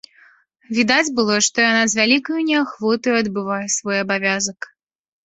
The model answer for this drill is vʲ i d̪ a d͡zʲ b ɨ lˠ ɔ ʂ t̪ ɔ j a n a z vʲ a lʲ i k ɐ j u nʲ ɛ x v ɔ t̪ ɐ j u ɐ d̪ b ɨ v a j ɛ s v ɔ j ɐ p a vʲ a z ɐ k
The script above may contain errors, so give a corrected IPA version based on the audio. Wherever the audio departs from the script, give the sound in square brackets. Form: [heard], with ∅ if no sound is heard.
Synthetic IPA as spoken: vʲ i d̪ a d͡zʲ b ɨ lˠ ɔ ʂ t̪ ɔ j a n a z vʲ a lʲ i k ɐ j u nʲ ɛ x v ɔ t̪ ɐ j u ɐ d̪ b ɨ v a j ɛ s v ɔ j ɐ [b] a vʲ a z ɐ k